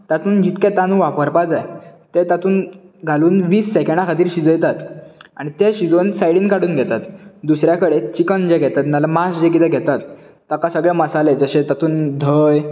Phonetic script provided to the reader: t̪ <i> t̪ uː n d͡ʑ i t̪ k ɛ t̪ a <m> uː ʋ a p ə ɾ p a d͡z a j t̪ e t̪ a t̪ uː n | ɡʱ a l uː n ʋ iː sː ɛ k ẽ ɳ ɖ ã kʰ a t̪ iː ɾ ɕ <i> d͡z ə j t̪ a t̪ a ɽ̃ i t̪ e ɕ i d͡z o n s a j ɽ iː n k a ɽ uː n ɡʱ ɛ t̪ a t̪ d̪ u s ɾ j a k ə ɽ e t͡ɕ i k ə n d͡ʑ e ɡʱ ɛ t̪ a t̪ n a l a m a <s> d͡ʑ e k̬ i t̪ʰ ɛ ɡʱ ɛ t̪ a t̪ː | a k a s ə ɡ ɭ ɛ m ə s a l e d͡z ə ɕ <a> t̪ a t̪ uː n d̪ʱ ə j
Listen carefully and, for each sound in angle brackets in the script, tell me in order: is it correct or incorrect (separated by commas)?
incorrect, incorrect, correct, correct, incorrect